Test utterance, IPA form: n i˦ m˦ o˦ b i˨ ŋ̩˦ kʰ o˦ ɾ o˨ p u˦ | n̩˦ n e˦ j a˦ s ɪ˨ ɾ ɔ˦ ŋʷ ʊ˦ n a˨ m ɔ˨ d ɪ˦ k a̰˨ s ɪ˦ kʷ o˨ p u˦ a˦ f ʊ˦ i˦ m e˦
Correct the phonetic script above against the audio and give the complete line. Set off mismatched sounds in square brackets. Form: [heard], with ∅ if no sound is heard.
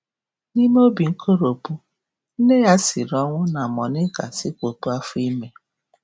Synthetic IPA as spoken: n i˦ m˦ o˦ b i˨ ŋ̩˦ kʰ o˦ ɾ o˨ p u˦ | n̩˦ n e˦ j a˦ s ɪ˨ ɾ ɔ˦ ŋʷ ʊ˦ n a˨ m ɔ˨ [n] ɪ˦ k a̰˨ s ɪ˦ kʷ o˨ p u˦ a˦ f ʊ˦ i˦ m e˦